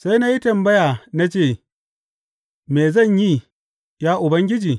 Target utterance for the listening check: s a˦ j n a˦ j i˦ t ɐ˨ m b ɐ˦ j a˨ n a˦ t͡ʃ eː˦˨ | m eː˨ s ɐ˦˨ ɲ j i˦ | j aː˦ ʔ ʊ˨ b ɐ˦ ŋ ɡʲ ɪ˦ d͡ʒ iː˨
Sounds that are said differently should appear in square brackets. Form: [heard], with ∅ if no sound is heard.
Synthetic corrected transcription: s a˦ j n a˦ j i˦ t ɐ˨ m b ɐ˦ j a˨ n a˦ t͡ʃ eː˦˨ | m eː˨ [z] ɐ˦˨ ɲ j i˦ | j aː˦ ʔ ʊ˨ b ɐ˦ ŋ ɡʲ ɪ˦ d͡ʒ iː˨